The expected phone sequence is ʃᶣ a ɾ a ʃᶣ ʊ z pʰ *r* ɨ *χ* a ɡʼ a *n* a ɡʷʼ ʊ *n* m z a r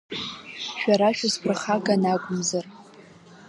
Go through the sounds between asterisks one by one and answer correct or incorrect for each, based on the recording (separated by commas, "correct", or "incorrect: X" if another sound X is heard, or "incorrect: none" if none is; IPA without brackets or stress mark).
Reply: correct, correct, correct, incorrect: none